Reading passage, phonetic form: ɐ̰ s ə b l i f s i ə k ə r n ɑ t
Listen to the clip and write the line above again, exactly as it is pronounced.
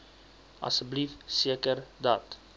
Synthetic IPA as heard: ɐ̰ s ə b l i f s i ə k ə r d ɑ t